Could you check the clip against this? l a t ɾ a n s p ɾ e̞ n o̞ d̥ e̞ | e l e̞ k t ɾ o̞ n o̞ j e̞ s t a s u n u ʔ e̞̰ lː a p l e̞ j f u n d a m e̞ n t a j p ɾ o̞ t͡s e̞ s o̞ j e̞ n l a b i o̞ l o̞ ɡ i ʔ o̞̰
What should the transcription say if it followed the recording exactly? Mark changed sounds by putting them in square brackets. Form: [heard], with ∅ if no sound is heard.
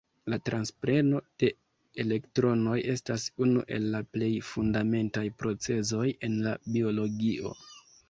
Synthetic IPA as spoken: l a t ɾ a n s p ɾ e̞ n o̞ d̥ e̞ | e l e̞ k t ɾ o̞ n o̞ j e̞ s t a s u n u ʔ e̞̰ lː a p l e̞ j f u n d a m e̞ n t a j p ɾ o̞ t͡s e̞ [z] o̞ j e̞ n l a b i o̞ l o̞ ɡ i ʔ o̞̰